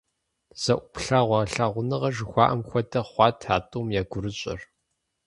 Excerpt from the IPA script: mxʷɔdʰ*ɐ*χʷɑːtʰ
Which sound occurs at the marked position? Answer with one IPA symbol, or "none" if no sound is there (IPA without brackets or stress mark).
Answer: ɐ